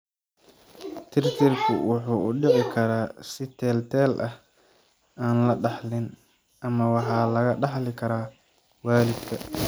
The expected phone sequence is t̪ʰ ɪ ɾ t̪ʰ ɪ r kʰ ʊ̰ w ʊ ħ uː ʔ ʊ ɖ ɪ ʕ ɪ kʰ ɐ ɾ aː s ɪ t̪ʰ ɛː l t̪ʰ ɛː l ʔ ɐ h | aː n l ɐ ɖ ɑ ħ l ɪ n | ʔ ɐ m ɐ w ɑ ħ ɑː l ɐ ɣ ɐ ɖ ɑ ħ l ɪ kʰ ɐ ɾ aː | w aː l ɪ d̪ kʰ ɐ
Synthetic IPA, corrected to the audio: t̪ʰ ɪ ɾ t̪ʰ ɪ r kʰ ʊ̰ w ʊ ħ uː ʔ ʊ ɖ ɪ ʕ ɪ kʰ ɐ ɾ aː s ɪ t̪ʰ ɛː l t̪ʰ ɛː l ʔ ɐ h | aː n l ɐ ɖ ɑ ħ l ɪ n | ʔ ɐ m ɐ w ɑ ħ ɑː l ɐ ɣ ɐ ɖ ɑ ħ l ɪ kʰ ɐ ɾ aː | w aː l ɪ d̪ kʰ ɐ